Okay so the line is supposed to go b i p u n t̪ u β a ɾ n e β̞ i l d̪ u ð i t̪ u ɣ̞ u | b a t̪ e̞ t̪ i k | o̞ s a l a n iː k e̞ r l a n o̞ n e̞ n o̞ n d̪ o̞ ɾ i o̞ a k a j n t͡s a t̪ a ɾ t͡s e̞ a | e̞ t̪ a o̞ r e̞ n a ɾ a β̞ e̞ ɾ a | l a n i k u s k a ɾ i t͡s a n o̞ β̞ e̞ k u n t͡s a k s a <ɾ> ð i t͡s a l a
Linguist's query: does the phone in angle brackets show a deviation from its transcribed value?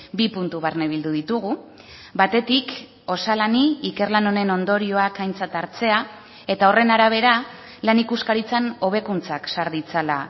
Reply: no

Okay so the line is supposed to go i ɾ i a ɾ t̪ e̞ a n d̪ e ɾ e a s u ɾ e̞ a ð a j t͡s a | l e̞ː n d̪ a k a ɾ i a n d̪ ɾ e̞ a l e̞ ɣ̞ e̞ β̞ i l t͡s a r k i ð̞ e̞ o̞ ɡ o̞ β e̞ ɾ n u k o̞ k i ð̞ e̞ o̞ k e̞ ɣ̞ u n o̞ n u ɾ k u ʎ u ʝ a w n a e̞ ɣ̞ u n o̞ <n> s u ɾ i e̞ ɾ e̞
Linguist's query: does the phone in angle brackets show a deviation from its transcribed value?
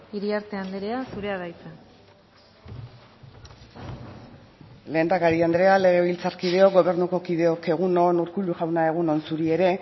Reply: no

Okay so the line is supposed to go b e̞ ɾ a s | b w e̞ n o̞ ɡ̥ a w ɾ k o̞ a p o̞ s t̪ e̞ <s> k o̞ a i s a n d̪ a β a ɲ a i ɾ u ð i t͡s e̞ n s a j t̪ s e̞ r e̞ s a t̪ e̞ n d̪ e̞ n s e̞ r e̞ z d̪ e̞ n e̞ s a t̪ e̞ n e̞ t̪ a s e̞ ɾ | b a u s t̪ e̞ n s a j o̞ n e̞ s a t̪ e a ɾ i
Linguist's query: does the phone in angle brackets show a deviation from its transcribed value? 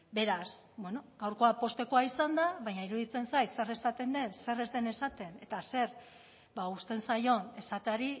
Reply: yes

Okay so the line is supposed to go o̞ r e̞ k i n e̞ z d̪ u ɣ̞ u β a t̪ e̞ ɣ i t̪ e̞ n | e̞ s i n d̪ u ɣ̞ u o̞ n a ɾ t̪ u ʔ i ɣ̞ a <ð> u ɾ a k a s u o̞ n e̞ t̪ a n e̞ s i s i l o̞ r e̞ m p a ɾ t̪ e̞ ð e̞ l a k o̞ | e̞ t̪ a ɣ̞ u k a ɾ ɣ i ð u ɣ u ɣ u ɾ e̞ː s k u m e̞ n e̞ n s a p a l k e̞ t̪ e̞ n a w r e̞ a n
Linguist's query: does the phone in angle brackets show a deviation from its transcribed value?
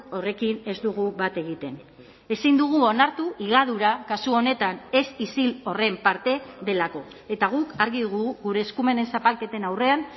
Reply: no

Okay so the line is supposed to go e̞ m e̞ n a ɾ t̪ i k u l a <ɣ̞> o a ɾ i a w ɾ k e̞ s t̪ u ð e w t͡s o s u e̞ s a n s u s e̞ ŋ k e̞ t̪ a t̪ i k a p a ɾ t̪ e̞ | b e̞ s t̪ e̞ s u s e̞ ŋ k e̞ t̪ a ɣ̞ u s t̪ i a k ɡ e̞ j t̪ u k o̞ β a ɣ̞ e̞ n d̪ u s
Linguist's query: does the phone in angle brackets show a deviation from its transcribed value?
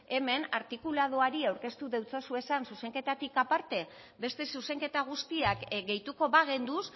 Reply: yes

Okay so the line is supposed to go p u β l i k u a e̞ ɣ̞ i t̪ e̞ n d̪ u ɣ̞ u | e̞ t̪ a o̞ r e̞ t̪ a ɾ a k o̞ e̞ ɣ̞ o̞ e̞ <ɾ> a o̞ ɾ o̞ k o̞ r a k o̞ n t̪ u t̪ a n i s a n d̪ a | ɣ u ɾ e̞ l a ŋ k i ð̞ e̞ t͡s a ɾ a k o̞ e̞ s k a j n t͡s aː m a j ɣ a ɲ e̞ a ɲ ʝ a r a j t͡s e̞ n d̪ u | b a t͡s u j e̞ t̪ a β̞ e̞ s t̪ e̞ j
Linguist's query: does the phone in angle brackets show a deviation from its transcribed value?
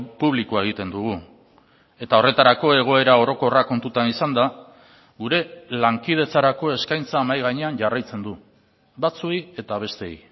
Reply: no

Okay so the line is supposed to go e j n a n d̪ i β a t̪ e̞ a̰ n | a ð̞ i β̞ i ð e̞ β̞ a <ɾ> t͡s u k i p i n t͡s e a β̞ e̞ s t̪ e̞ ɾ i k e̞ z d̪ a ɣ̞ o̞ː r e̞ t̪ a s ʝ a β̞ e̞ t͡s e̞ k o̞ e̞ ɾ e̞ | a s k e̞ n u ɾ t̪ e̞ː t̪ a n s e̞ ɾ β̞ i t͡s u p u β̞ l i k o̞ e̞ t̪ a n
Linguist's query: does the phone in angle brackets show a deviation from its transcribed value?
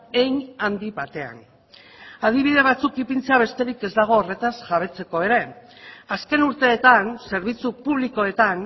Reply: yes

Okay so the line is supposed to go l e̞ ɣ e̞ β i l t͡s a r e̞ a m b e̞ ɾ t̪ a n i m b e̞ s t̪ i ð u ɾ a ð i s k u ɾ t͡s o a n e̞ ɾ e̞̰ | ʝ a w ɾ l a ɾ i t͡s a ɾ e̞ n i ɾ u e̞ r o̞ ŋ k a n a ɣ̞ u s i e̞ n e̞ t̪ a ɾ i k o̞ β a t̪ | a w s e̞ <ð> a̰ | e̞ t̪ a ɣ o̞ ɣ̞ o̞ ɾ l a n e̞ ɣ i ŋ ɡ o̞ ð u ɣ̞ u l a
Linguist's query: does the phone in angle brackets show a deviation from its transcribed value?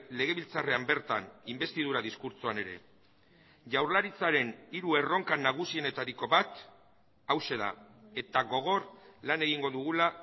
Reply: no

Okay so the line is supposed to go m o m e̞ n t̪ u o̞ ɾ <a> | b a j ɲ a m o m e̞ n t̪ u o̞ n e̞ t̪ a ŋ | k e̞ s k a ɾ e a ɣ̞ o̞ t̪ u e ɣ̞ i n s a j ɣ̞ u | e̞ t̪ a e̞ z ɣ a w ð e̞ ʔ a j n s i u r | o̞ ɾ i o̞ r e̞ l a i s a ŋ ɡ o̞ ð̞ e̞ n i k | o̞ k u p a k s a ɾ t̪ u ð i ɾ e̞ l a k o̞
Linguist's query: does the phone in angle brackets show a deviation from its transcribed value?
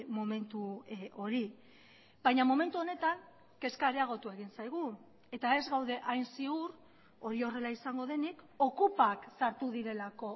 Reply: yes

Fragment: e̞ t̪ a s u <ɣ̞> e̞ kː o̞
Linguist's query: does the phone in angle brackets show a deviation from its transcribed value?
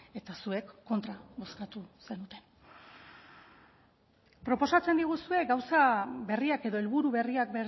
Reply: yes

